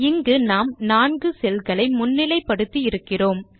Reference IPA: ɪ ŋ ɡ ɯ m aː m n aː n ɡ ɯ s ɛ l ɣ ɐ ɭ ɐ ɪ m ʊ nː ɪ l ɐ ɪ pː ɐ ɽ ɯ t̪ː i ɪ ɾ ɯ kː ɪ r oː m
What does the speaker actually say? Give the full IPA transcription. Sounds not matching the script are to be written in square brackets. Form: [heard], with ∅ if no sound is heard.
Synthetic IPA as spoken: ɪ ŋ ɡ ɯ [n] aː m n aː n ɡ ɯ s ɛ l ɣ ɐ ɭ ɐ ɪ m ʊ nː ɪ l ɐ ɪ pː ɐ ɽ ɯ t̪ː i ɪ ɾ ɯ kː ɪ r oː m

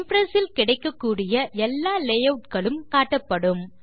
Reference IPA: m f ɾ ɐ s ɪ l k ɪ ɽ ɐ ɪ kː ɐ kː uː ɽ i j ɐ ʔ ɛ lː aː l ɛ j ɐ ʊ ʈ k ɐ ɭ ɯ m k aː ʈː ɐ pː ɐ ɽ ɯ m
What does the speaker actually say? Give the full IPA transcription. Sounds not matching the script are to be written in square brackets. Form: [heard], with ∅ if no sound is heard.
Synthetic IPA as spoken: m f ɾ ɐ s ɪ l k ɪ ɽ ɐ ɪ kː ɐ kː uː ɽ [ɪ] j ɐ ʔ ɛ lː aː l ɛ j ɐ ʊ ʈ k ɐ ɭ ɯ m k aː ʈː ɐ pː ɐ ɽ ɯ m

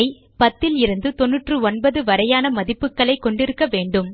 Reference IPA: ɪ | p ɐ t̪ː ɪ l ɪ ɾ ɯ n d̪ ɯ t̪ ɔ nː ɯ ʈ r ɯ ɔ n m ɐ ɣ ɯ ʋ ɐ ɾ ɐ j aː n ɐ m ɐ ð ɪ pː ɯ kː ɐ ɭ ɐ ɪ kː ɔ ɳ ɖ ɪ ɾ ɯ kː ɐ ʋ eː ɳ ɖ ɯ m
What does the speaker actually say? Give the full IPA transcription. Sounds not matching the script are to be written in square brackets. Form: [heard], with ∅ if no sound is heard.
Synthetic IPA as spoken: ɪ | p ɐ t̪ː ɪ l ɪ ɾ ɯ n d̪ ɯ t̪ ɔ nː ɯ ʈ r ɯ ɔ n [b] ɐ [ð] ɯ ʋ ɐ ɾ ɐ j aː n ɐ m ɐ ð ɪ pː ɯ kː ɐ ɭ ɐ ɪ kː ɔ ɳ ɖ ɪ ɾ ɯ kː ɐ ʋ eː ɳ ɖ ɯ m

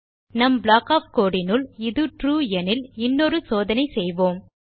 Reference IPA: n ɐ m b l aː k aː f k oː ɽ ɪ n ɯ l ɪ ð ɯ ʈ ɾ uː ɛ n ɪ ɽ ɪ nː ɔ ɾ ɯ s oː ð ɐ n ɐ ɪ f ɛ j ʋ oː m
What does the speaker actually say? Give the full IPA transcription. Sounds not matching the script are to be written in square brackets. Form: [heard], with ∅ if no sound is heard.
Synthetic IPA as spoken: n ɐ m b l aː k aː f k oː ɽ ɪ n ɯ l ɪ ð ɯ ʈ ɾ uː ɛ n ɪ [l] ɪ nː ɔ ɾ ɯ s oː ð ɐ n ɐ ɪ [s] ɛ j ʋ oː m

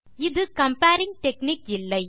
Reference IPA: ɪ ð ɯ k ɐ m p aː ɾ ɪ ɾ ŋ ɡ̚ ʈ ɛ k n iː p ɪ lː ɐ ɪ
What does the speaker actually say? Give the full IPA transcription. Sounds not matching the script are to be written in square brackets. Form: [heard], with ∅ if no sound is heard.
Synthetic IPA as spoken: ɪ ð ɯ k ɐ m p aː ɾ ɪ [∅] ŋ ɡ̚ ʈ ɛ k n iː [k] ɪ lː ɐ ɪ

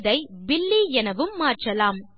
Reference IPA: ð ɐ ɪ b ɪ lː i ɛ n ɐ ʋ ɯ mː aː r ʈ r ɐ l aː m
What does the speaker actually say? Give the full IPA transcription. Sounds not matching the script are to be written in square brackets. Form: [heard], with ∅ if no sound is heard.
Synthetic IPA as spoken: ð ɐ ɪ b ɪ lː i ɛ n ɐ ʋ ɯ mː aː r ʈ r ɐ l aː m

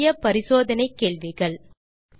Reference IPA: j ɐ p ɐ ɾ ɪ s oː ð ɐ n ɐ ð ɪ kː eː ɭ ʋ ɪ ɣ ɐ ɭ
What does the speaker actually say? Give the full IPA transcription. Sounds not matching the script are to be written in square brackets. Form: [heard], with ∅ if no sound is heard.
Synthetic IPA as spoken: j ɐ p ɐ ɾ ɪ s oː ð ɐ n ɐ [∅] ɪ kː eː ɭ ʋ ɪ ɣ ɐ ɭ

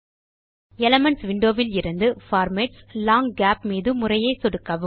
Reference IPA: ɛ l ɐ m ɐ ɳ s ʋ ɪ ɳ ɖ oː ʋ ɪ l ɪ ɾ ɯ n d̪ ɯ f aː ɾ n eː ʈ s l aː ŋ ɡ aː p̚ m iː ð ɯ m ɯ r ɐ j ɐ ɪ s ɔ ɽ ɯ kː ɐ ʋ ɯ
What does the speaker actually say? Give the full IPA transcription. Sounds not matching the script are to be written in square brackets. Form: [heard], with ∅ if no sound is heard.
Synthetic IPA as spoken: ɛ l ɐ m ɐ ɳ s ʋ ɪ ɳ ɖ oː ʋ ɪ l ɪ ɾ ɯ n d̪ ɯ f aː ɾ [m] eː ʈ s l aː ŋ ɡ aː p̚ m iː ð ɯ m [ʊ] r ɐ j ɐ ɪ s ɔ ɽ ɯ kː ɐ ʋ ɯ

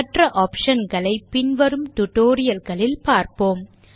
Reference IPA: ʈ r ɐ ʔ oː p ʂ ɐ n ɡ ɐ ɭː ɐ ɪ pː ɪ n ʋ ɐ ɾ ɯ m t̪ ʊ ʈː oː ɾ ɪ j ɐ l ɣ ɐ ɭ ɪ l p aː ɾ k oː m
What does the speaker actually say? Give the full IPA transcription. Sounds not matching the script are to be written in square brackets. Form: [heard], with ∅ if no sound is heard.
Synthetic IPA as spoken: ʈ r ɐ ʔ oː p ʂ ɐ n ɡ ɐ [ɭ] ɐ ɪ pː ɪ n ʋ ɐ ɾ ɯ m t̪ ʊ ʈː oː ɾ ɪ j ɐ l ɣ ɐ ɭ ɪ l p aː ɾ [p] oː m

